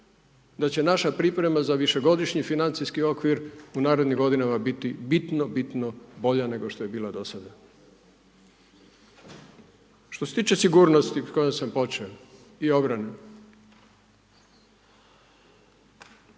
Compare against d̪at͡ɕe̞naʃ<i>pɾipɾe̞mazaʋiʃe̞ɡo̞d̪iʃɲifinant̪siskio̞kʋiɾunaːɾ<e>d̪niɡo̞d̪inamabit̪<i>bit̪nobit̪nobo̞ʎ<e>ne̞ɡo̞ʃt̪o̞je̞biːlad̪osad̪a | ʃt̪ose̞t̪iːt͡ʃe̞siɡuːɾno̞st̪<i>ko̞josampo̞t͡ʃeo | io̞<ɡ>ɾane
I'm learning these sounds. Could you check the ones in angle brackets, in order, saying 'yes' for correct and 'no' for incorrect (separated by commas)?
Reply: no, yes, yes, no, yes, no